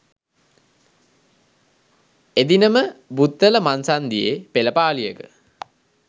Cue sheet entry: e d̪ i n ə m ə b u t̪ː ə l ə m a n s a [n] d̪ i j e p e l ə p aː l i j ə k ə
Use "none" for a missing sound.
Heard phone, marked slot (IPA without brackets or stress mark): n